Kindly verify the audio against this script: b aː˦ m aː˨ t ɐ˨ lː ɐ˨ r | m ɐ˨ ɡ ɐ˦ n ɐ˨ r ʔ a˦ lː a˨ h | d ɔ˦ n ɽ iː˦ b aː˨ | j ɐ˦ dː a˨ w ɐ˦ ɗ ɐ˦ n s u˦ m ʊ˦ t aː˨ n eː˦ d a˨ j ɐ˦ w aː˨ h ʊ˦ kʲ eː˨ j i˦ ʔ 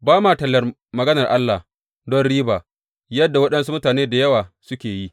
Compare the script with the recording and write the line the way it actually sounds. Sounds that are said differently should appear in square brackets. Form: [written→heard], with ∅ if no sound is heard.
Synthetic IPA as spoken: b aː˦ m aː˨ t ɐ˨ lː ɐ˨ r | m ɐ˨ ɡ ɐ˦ n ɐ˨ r ʔ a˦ lː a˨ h | d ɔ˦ n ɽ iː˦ b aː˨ | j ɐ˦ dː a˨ w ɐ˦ ɗ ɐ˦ n s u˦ m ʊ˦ t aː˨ n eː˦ d a˨ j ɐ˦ w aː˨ [h→s] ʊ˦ kʲ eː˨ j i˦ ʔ